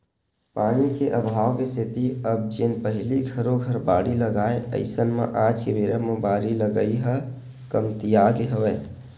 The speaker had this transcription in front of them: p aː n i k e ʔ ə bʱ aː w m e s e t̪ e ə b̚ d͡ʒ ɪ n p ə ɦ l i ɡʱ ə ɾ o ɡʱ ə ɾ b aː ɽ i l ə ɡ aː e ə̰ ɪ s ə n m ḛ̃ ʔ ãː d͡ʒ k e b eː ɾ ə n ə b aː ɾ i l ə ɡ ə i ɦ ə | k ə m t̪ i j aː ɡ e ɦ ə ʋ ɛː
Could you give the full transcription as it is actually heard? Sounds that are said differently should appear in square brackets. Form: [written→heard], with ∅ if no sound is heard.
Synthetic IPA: p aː n i k e ʔ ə bʱ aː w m e s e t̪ [e→i] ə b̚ d͡ʒ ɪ n p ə ɦ l i ɡʱ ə ɾ o ɡʱ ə ɾ b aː ɽ i l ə ɡ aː e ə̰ ɪ s ə n m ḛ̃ ʔ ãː d͡ʒ k e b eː ɾ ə [n→m] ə b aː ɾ i l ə ɡ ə i ɦ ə | k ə m t̪ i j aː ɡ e ɦ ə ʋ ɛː